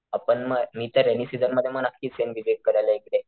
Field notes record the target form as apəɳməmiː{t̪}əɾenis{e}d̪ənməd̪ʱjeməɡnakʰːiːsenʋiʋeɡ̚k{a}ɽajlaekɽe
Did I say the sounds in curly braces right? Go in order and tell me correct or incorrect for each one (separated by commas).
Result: correct, incorrect, incorrect